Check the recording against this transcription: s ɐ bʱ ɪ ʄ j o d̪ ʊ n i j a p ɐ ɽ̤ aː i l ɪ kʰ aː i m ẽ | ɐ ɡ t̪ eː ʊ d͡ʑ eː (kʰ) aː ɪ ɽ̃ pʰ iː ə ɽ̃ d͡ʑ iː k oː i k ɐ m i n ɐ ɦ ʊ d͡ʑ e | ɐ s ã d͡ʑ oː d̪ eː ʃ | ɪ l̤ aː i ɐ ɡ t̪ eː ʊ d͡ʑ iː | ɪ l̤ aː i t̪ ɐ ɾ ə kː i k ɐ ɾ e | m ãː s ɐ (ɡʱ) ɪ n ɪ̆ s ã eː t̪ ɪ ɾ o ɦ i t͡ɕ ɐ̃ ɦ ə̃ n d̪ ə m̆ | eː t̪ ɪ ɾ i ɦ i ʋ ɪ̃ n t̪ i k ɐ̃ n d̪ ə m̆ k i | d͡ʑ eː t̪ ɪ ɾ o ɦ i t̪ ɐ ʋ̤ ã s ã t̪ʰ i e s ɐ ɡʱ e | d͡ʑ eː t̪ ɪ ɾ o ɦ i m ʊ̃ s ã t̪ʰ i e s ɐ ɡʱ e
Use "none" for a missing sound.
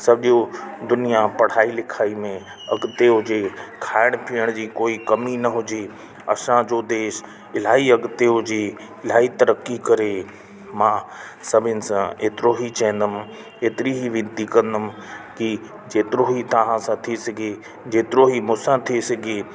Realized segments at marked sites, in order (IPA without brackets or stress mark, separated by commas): kʰ, bʱ